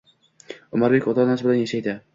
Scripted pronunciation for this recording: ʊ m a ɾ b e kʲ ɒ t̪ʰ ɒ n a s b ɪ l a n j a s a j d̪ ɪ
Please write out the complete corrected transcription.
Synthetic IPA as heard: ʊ m a ɾ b e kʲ ɒ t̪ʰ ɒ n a s b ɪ l a n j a ʃ a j d̪ ɪ

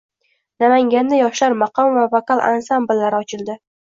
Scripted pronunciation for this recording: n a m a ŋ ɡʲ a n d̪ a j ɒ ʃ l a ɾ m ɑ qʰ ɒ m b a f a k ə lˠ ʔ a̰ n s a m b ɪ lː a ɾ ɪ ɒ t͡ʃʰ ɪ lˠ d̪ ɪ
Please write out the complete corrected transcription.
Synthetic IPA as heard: n a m a ŋ ɡʲ a n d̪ a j ɒ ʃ l a ɾ m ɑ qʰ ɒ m v a v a k a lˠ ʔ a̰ n s a m b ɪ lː a ɾ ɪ ɒ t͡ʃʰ ɪ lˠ d̪ ɪ

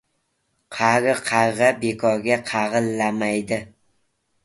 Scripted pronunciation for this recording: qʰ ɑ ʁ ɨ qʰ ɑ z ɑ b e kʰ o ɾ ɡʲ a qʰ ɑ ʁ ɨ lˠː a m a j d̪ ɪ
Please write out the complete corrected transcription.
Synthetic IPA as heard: qʰ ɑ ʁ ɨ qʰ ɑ ʁ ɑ b e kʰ ɒ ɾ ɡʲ a qʰ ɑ ʁ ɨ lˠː a m a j d̪ ɪ

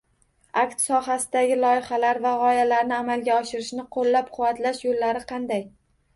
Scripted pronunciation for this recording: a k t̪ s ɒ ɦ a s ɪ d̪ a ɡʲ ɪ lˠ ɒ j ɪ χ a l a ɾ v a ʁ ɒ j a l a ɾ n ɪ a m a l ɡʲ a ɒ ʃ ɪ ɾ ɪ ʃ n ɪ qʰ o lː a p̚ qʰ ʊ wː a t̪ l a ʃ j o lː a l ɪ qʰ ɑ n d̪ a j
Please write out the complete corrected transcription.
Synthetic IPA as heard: a k t̪ s ɒ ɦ a s ɪ d̪ a ɡʲ ɪ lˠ ɒ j ɪ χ a l a ɾ v a ʁ ɒ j a l a ɾ n ɪ a m a l ɡʲ a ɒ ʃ ɪ ɾ ɪ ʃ n ɪ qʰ o lː a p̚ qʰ ʊ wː a t̪ l a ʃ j o lː a ɾ ɪ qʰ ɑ n d̪ a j

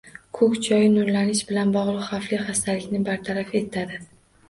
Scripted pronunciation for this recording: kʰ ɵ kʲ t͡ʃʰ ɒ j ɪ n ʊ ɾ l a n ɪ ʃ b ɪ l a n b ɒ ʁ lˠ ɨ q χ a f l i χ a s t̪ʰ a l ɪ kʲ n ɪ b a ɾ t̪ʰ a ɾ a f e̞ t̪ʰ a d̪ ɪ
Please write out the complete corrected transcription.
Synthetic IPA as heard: kʰ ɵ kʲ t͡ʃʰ ɒ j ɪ n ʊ ɾ l a n ɪ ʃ b ɪ l a n b ɒ ʁ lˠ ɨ q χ a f l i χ a s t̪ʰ a l ɪ kʲ n ɪ b a ɾ t̪ʰ a ɾ a f e̞ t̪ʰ a d̪ ɪ

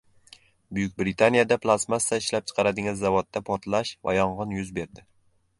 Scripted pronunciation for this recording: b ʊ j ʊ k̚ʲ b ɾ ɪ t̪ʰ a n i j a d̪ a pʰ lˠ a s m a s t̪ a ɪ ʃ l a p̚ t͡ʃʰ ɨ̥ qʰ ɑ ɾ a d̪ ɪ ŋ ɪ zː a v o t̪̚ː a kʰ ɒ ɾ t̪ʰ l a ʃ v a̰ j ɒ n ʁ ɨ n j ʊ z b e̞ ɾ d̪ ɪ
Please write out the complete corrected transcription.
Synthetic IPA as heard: b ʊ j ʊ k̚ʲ b ɾ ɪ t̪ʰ a n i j a d̪ a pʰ lˠ a s m a s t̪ a ɪ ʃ l a p̚ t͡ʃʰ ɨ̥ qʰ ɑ ɾ a d̪ ɪ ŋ ɪ zː a v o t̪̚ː a pʰ ɒ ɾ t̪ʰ l a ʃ v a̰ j ɒ ɴ ʁ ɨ n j ʊ z b e̞ ɾ d̪ ɪ

